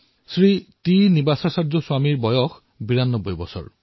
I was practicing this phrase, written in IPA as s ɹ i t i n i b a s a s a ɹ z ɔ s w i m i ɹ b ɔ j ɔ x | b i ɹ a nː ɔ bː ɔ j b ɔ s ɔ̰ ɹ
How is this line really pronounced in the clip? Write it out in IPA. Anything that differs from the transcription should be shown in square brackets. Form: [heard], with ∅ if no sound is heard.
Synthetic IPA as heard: s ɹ i t i n i b a s a s a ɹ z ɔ s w [a] m i ɹ b ɔ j ɔ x | b i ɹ a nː ɔ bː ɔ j b ɔ s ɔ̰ ɹ